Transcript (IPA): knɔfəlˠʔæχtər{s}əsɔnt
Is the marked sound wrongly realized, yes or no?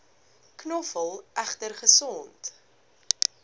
yes